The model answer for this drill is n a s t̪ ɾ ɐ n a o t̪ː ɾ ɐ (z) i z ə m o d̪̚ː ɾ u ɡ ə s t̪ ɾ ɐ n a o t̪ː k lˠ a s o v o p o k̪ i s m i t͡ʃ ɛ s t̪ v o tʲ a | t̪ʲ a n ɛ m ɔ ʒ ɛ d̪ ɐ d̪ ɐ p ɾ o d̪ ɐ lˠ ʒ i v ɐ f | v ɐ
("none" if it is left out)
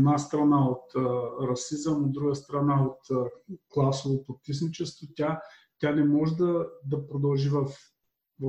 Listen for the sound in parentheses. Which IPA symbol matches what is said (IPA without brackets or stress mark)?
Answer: s